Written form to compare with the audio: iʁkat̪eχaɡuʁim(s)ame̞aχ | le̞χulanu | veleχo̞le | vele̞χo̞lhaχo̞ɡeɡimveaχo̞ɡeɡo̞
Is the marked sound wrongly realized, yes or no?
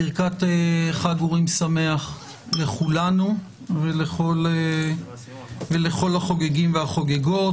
no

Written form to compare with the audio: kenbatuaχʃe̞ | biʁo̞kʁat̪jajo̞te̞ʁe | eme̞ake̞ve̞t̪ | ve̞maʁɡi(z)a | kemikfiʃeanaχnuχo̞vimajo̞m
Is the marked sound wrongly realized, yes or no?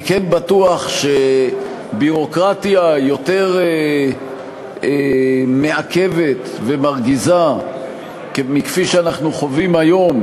no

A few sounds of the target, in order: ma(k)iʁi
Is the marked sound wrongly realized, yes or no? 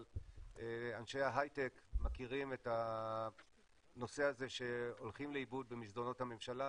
no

